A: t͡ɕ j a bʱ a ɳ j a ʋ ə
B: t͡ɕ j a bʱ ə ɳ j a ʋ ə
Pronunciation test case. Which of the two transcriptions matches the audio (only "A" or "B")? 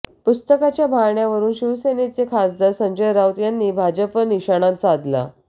A